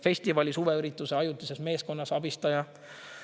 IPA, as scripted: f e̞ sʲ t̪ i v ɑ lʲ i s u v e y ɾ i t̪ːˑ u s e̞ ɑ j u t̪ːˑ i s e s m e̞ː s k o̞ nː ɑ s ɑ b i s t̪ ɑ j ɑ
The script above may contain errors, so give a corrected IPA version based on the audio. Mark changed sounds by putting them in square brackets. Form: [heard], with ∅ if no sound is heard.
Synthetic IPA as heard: f e̞ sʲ t̪ i v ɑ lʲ i s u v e y ɾ i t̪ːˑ u s e̞ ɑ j u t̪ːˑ i s e s m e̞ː s k o̞ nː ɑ s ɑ b i s t̪ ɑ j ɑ